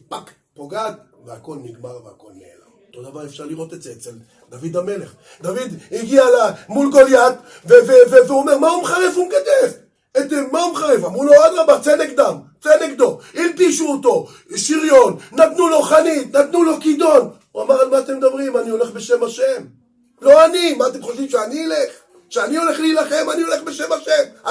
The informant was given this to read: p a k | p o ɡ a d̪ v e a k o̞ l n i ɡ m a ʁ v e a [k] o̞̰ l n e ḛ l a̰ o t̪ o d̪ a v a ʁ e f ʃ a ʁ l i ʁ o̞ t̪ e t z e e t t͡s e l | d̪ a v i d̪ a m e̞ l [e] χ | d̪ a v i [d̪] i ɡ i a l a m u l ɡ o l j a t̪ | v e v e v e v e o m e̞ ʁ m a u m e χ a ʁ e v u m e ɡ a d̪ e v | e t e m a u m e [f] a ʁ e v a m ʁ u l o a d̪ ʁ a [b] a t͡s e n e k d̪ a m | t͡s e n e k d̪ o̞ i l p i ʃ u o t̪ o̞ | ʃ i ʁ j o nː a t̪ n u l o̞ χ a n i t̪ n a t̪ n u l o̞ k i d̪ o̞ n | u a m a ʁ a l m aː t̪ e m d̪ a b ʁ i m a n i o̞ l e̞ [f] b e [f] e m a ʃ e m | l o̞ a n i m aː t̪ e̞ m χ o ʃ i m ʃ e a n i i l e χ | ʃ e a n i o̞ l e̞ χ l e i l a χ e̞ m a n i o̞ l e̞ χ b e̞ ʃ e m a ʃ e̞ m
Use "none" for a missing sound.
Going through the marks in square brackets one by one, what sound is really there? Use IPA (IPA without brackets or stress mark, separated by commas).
k, e, d̪, χ, b, χ, ʃ